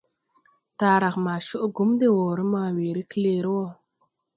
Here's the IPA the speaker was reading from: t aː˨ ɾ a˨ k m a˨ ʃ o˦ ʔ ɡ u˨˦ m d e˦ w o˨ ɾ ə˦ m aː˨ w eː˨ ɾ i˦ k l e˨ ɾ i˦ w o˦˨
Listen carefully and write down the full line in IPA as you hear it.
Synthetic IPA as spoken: t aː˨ ɾ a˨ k m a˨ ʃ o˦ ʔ ɡ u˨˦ m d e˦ w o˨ ɾ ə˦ m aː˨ w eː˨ ɾ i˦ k l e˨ ɾ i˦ w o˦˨